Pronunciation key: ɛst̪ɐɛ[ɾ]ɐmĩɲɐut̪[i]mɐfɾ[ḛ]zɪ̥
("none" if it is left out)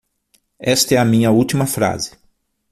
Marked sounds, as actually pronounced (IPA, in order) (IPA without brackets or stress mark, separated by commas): none, i, a̰